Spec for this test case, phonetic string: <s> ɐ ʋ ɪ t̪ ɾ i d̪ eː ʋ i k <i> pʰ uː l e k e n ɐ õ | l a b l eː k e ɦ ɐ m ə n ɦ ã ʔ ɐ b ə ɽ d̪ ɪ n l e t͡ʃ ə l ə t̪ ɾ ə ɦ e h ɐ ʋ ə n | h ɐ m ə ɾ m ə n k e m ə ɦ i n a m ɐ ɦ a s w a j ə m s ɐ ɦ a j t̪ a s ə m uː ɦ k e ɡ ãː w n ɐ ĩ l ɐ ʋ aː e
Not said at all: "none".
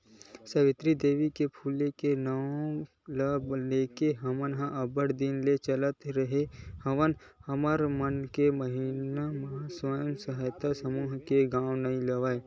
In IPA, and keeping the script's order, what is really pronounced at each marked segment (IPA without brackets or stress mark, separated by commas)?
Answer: s, e